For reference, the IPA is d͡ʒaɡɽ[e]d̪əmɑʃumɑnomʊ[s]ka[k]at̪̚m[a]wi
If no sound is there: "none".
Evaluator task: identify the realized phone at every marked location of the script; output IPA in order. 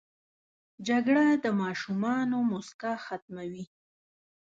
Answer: a, s, x, a

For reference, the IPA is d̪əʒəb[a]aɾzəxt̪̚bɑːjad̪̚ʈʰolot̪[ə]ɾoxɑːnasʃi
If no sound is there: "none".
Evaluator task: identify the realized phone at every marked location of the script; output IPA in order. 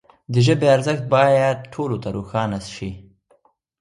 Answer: e, a

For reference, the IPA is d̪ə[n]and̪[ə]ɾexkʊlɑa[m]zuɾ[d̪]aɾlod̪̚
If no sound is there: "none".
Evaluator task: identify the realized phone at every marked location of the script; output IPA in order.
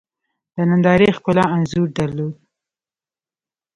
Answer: n, ɑ, n, d̪

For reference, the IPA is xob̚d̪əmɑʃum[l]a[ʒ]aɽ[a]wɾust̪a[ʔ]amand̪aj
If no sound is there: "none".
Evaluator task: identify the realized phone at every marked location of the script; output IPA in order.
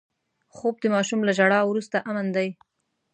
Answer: l, ʒ, ɑ, ʔ

